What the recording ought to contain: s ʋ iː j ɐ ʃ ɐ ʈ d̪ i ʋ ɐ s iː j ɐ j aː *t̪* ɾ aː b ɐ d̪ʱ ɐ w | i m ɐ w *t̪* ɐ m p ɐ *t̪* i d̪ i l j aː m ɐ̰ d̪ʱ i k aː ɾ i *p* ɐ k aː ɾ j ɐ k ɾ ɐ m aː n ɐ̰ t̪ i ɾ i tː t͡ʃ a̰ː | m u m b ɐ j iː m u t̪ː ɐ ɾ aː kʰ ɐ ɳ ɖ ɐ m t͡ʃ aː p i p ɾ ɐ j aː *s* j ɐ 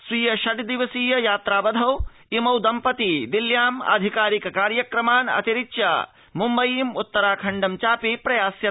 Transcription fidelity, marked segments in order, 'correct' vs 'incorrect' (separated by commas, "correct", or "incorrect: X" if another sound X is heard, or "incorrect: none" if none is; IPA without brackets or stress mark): correct, incorrect: d̪, correct, incorrect: k, correct